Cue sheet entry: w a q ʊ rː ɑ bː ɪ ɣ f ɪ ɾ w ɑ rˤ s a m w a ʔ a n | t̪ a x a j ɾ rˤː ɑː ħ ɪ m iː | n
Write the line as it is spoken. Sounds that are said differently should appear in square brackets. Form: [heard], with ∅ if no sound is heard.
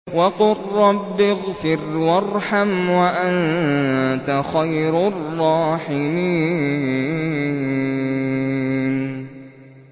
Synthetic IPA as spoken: w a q ʊ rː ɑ bː ɪ ɣ f ɪ ɾ w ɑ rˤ [ħ] a m w a ʔ a n | t̪ a x a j ɾ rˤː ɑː ħ ɪ m iː | n